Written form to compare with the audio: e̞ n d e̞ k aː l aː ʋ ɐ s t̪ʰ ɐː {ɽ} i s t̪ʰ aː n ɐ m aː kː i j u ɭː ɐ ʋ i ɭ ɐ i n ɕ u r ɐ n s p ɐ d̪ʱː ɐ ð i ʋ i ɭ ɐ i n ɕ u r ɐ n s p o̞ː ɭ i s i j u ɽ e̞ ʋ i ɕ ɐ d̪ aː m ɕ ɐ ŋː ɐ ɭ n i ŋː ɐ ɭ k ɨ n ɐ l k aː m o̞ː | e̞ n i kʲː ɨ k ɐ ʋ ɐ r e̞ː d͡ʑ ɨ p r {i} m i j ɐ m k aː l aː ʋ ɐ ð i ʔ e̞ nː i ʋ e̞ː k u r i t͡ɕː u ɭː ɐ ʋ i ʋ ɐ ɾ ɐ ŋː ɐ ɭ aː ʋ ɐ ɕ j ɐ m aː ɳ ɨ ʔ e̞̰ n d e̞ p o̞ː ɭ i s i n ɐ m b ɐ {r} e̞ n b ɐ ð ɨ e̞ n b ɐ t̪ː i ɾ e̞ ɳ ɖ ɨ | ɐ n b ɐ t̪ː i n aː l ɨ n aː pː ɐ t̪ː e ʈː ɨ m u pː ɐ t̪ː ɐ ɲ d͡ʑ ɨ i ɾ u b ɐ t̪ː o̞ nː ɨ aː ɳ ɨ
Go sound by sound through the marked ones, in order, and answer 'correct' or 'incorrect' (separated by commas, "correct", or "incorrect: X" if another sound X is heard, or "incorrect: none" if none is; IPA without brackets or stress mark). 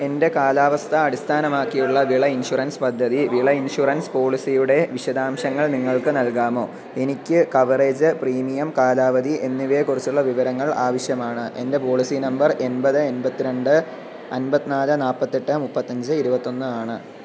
correct, incorrect: iː, correct